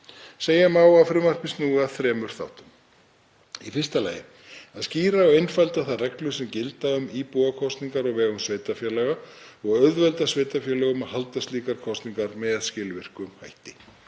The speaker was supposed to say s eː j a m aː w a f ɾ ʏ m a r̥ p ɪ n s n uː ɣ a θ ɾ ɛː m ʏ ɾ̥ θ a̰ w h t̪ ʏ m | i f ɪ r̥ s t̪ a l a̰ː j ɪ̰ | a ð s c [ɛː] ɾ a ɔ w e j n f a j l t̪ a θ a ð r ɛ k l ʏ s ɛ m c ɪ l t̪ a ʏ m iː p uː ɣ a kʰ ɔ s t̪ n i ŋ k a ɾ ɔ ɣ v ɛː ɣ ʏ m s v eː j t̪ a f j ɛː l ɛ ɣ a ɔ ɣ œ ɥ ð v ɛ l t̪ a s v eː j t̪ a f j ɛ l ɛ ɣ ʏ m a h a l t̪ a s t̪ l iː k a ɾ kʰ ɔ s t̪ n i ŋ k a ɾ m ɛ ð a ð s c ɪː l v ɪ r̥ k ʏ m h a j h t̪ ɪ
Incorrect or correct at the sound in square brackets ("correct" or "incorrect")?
incorrect